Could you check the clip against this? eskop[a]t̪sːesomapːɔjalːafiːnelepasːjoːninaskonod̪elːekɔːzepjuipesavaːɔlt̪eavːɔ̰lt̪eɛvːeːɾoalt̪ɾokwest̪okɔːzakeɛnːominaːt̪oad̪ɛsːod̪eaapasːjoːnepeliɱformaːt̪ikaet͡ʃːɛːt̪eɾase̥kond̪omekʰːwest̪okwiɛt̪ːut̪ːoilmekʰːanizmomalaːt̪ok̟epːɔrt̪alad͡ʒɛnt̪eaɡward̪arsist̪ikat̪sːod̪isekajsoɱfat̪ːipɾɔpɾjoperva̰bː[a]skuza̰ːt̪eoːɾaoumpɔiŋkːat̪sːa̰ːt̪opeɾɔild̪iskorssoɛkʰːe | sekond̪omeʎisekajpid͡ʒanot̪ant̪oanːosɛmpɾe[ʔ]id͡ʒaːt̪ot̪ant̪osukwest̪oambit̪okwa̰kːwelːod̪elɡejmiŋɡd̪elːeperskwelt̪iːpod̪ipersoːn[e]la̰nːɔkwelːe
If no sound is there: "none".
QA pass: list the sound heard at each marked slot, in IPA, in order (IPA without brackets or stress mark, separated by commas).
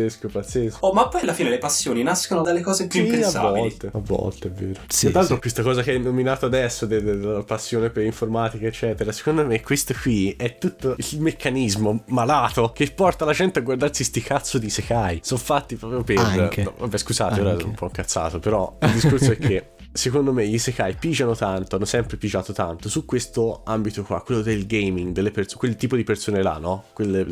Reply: a, ɛ, p, e